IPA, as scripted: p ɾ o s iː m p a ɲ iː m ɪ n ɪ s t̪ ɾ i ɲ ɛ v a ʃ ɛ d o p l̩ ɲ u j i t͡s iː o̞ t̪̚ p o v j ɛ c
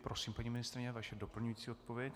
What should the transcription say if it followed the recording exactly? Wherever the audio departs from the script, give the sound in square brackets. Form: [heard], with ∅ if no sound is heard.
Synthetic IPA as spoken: p ɾ o s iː m p a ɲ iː m ɪ n ɪ s t̪ ɾ [ɪ] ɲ ɛ v a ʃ ɛ d o p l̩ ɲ u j i t͡s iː o̞ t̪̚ p o v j ɛ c